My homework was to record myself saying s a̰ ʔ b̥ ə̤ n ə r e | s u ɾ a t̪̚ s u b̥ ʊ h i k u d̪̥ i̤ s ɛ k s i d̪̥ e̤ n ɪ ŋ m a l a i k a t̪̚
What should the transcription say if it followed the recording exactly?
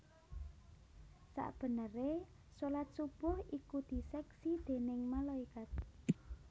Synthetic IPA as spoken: s a̰ ʔ b̥ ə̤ n ə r e | s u l a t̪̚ s u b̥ ʊ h i k u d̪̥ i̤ s ɛ k s i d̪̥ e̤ n ɪ ŋ m a l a i k a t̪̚